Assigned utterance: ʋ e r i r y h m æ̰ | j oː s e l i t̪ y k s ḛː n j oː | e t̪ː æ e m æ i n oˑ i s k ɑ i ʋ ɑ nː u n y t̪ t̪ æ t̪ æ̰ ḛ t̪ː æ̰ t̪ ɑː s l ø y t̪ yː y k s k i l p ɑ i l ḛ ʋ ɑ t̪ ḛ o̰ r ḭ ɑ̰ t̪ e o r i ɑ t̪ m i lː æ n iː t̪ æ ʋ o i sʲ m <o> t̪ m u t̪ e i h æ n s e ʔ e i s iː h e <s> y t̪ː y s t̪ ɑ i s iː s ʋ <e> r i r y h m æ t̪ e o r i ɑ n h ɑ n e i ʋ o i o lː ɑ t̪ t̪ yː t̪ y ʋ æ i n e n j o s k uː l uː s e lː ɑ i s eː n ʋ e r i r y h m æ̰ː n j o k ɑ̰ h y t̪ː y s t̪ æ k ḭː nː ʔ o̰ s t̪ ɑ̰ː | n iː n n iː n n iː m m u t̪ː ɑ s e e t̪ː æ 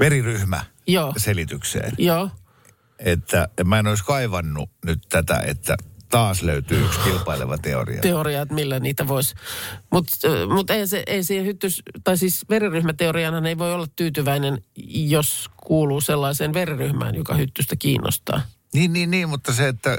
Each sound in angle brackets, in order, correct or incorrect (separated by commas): incorrect, incorrect, correct